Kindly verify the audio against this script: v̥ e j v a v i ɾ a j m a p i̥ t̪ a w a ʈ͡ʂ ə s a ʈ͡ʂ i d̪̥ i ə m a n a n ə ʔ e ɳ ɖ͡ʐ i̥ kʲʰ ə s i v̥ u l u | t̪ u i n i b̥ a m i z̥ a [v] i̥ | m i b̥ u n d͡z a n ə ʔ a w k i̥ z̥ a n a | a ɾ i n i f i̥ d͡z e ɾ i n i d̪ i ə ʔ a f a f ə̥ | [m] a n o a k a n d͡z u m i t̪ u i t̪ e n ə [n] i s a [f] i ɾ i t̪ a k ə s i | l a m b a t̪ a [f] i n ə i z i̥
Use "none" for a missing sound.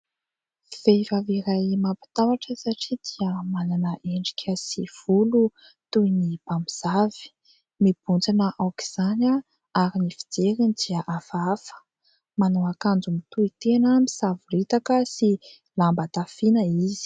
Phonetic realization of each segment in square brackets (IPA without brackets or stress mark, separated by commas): v, m, m, v, f